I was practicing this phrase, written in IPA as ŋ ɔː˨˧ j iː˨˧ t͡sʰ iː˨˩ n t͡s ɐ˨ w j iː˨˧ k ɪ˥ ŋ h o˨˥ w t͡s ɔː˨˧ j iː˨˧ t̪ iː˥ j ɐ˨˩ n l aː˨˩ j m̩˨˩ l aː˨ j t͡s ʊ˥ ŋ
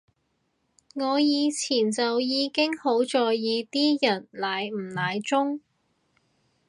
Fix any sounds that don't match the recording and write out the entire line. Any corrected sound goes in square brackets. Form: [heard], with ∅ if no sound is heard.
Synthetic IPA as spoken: ŋ ɔː˨˧ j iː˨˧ t͡sʰ iː˨˩ n t͡s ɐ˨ w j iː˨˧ k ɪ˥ ŋ h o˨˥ w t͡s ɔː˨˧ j iː˨˧ t̪ iː˥ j ɐ˨˩ n l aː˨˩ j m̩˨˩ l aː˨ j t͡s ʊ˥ ŋ